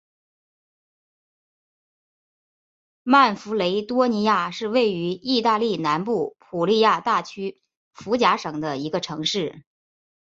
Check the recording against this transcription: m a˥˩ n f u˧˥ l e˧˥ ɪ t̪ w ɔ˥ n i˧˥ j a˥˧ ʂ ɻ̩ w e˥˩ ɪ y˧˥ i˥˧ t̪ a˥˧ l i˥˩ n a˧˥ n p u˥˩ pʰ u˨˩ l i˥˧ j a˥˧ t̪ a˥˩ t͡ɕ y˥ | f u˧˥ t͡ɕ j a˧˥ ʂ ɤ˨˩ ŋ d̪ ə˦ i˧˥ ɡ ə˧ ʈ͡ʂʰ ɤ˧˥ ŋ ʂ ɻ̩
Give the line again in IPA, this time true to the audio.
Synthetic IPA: m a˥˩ n f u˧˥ l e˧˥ ɪ t̪ w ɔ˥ n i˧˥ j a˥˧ ʂ ɻ̩ w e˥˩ ɪ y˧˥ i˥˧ t̪ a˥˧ l i˥˩ n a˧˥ n p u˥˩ pʰ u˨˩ l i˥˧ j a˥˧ t̪ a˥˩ t͡ɕʰ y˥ | f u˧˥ t͡ɕ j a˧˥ ʂ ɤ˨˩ ŋ d̪ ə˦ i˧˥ ɡ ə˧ ʈ͡ʂʰ ɤ˧˥ ŋ ʂ ɻ̩